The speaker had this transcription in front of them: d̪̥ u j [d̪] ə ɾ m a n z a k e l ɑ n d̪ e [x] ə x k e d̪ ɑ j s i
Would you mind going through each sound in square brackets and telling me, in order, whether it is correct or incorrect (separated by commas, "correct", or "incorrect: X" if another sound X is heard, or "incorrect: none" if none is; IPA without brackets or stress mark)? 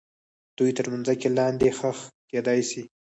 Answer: incorrect: t̪, correct